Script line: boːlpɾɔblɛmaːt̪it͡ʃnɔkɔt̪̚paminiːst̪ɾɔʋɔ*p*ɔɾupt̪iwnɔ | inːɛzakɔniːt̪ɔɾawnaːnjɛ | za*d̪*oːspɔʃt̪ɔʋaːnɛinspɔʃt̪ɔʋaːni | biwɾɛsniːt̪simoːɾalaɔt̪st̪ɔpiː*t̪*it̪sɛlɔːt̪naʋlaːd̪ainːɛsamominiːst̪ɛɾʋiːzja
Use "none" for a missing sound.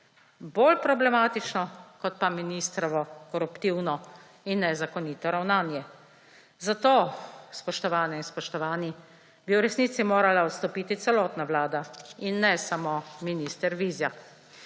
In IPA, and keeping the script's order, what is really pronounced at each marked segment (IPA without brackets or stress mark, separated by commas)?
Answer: k, t̪, t̪